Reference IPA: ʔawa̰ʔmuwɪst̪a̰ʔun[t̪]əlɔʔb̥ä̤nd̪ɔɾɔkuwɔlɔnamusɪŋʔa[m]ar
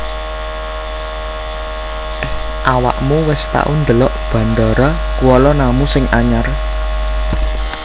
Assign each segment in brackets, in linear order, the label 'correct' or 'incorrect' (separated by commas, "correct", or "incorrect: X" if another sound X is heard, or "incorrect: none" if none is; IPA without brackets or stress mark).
incorrect: d̪, incorrect: ɲ